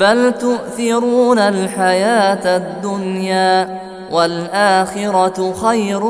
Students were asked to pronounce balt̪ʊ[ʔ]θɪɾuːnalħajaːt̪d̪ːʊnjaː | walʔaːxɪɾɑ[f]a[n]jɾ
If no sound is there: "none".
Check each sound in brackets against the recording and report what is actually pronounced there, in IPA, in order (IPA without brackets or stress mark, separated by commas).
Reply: ʔ, x, none